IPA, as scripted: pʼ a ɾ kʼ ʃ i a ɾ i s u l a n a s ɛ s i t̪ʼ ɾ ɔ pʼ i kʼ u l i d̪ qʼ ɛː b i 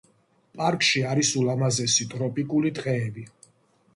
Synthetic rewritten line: pʼ a ɾ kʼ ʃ i a ɾ i s u l a m a z ɛ s i t̪ʼ ɾ ɔ pʼ i kʼ u l i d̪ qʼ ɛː b i